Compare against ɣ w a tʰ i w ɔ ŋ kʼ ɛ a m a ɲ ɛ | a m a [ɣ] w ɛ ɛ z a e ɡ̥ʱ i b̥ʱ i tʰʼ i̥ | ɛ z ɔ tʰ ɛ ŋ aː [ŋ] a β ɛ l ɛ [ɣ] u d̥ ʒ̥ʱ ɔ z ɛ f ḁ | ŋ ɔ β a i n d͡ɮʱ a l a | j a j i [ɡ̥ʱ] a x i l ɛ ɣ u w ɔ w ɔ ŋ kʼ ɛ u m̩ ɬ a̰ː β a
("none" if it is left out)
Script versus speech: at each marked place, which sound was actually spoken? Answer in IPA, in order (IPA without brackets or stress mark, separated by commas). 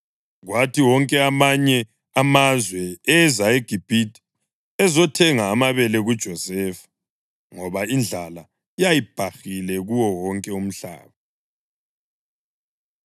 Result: z, m, ɣ, b̥ʱ